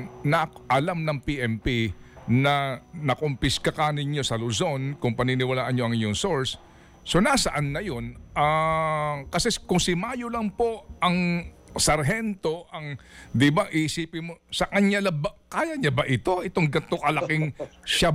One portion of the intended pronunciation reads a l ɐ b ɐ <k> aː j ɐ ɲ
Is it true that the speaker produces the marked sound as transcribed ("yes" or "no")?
yes